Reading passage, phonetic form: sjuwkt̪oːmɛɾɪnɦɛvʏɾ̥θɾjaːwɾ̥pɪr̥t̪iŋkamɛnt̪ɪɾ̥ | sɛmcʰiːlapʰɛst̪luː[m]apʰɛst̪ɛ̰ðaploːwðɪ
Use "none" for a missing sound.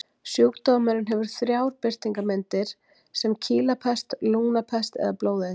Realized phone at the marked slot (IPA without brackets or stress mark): n